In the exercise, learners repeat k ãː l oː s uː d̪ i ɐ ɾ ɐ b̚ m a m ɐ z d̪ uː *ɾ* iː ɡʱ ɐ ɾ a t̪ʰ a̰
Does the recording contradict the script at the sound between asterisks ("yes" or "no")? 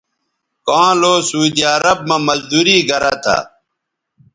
no